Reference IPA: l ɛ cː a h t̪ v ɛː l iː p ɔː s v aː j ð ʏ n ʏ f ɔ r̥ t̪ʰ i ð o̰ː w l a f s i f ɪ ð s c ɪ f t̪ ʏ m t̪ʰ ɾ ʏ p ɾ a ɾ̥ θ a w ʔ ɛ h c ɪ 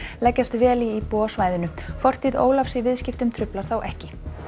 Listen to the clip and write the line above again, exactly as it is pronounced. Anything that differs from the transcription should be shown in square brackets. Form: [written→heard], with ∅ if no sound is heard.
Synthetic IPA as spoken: l ɛ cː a [h→s] t̪ v ɛː l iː p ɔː s v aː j ð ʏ n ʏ f ɔ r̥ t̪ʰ i ð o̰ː w l a f s i [f→v] ɪ ð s c ɪ f t̪ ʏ m t̪ʰ ɾ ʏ p [ɾ→l] a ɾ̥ θ a w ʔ ɛ h c ɪ